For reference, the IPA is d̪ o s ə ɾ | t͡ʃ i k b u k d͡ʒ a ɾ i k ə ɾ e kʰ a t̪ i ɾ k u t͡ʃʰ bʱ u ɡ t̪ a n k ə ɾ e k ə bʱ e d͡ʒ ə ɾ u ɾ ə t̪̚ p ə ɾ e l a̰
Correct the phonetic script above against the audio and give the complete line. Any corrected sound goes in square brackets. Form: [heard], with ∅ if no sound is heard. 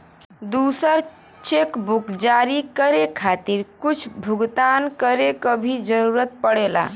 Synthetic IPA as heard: d̪ [u] s ə ɾ | t͡ʃ [e] k b u k d͡ʒ a ɾ i k ə ɾ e kʰ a t̪ i ɾ k u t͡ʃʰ bʱ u ɡ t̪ a n k ə ɾ e k ə bʱ [i] d͡ʒ ə ɾ u ɾ ə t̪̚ p ə [ɽ] e l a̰

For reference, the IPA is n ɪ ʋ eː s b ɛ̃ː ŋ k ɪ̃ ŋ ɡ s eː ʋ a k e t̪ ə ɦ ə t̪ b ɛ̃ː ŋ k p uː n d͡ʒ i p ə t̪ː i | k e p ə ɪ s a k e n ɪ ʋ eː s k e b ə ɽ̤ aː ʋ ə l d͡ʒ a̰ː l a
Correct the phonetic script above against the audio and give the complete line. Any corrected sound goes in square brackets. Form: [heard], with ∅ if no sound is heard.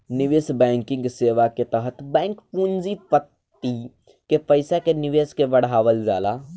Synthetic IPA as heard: n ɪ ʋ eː s b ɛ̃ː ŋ k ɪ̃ ŋ ɡ s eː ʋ a k e t̪ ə ɦ ə t̪ b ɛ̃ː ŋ k p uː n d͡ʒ i p ə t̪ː i | k e p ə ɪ s a k e n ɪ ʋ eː s k e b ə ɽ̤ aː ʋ ə l d͡ʒ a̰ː l a

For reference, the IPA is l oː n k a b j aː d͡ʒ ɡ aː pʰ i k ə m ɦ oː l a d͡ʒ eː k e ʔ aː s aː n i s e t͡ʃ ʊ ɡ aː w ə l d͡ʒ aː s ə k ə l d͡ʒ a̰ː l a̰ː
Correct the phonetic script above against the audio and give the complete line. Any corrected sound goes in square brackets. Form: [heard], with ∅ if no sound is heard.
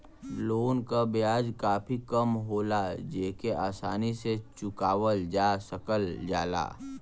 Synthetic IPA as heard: l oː n k a b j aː d͡ʒ [k] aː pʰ i k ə m ɦ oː l a d͡ʒ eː k e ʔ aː s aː n i s e t͡ʃ ʊ [k] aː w ə l d͡ʒ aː s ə k ə l d͡ʒ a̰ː l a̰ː

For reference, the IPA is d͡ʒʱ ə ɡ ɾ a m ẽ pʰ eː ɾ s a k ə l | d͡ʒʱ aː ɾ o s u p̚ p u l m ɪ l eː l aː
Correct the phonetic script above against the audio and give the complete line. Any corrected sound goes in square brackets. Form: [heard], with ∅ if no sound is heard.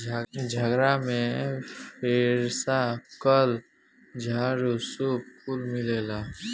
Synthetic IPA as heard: d͡ʒʱ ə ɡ ɾ a m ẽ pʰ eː ɾ s a k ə l | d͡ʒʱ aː ɾ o s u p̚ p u l m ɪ l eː l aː

